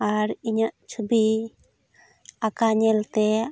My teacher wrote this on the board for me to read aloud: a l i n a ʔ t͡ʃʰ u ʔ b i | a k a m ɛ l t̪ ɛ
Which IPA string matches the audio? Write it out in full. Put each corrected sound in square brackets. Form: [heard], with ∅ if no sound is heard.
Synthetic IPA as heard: a [ɾ] i [ɲ] a ʔ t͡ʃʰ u [∅] b i | a k a [ɲ] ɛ l t̪ ɛ